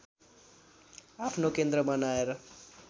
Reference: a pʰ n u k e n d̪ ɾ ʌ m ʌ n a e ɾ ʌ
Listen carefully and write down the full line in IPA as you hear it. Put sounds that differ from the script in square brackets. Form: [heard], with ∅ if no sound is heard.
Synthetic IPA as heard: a pʰ n [o] k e n d̪ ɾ ʌ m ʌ n a e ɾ ʌ